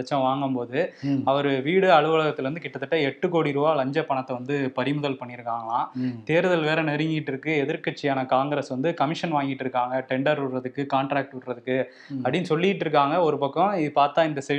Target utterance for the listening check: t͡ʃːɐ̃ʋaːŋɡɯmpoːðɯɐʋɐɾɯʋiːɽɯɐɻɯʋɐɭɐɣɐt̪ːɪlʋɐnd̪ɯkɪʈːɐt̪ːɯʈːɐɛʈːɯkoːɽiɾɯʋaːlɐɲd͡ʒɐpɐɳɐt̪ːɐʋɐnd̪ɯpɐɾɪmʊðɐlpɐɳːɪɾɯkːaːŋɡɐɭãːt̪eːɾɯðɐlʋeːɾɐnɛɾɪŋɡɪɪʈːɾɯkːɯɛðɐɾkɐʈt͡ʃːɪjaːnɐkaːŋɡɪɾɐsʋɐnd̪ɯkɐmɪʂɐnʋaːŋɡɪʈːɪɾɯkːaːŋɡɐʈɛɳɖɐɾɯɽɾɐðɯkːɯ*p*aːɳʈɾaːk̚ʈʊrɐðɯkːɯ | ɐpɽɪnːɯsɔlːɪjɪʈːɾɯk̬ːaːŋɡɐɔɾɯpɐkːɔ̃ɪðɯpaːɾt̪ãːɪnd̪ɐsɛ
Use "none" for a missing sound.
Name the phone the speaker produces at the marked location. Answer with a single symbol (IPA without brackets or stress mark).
k